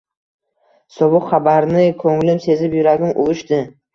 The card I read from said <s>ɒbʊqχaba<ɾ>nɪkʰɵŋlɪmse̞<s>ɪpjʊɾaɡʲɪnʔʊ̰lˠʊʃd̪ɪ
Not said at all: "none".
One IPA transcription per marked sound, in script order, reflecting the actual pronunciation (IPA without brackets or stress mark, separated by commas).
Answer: s, ɾ, z